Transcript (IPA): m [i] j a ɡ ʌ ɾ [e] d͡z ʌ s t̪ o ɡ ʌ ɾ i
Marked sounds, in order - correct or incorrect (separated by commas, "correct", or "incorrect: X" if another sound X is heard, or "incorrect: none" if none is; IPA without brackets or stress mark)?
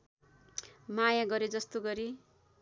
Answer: incorrect: a, correct